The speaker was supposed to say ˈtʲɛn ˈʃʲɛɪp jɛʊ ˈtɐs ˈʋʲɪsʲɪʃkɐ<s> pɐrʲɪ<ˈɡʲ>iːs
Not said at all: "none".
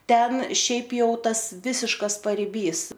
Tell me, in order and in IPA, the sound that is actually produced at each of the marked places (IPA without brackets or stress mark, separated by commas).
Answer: s, bʲ